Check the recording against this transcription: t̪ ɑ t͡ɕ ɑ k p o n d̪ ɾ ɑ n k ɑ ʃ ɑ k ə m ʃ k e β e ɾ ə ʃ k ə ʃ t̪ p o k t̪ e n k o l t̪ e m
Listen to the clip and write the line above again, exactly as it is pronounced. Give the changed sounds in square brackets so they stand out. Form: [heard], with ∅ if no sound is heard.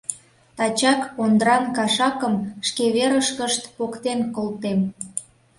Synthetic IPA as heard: t̪ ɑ t͡ɕ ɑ k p o n d̪ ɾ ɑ n k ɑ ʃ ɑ k ə m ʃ k e β e ɾ ə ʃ k ə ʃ t̪ p o k t̪ e n k o l t̪ e m